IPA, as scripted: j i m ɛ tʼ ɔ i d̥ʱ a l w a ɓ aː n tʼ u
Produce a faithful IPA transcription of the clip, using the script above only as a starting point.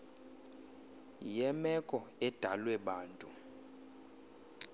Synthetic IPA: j ɛ m ɛ kʼ ɔ ɛ d̥ʱ a l w ɛ ɓ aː n tʼ u